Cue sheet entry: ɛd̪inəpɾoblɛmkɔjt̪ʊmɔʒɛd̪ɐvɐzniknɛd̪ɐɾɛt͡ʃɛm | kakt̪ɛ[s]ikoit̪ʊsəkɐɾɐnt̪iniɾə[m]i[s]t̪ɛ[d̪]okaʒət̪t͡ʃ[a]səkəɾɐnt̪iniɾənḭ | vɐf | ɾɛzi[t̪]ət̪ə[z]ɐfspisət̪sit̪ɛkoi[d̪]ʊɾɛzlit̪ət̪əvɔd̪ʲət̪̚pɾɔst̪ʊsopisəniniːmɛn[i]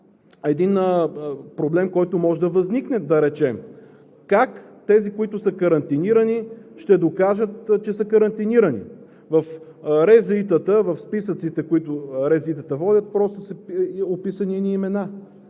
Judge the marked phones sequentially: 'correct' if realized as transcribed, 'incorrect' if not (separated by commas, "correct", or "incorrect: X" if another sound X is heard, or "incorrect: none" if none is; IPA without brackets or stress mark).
incorrect: z, incorrect: n, incorrect: ʃ, correct, incorrect: ɛ, correct, incorrect: v, incorrect: t̪, incorrect: a